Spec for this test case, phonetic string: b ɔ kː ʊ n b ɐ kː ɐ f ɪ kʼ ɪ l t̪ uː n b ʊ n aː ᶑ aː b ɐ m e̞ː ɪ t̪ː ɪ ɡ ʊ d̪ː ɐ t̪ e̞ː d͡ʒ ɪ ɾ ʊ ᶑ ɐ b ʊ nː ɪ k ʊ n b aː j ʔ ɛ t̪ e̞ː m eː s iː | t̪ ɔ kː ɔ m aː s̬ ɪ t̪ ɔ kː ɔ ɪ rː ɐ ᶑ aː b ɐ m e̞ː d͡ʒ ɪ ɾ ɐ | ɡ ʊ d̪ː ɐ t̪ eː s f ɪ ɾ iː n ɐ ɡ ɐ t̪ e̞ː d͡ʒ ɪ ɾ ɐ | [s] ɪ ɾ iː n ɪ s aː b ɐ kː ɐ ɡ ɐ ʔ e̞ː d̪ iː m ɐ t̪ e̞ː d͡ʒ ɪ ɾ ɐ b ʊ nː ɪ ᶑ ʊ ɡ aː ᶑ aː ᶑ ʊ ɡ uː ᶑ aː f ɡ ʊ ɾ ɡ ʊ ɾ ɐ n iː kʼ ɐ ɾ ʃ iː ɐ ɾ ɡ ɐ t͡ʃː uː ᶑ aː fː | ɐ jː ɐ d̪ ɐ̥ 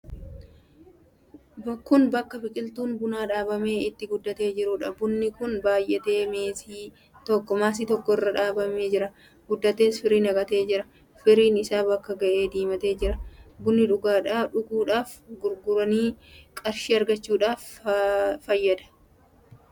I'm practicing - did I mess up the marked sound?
yes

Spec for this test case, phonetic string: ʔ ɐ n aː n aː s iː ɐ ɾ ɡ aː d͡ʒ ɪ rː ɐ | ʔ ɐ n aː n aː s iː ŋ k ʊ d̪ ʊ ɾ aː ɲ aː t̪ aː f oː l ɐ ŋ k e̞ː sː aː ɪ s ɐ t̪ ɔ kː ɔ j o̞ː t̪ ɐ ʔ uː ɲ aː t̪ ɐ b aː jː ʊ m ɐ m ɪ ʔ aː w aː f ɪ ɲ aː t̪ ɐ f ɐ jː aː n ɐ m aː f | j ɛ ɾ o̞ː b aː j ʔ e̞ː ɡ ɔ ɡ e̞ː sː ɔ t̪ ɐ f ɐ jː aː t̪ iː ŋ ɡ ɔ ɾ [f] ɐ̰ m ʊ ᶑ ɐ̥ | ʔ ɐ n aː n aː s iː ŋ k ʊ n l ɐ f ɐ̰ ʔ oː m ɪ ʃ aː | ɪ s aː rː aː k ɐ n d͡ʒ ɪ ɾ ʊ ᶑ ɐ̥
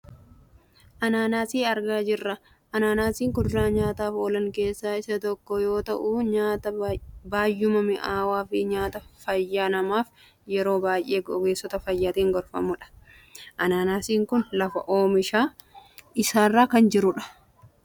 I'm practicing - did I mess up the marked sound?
no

